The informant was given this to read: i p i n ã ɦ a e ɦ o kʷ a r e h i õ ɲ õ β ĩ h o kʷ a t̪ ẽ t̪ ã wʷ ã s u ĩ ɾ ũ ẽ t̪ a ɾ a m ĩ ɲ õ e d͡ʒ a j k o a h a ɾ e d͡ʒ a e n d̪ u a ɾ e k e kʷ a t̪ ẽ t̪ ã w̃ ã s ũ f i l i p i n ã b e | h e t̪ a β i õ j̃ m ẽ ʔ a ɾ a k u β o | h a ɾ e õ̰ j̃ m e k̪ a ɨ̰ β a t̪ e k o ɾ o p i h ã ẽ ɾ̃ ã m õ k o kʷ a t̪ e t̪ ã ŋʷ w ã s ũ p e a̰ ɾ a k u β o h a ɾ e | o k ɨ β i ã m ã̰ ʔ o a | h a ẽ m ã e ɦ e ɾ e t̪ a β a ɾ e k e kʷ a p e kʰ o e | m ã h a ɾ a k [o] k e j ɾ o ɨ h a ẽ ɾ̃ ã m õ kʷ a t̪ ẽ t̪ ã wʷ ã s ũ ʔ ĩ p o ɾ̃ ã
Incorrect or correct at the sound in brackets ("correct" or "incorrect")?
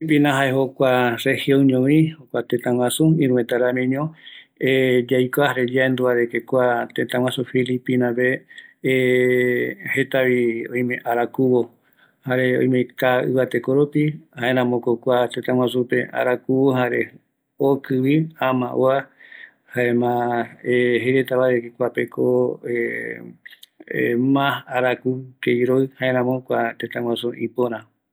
incorrect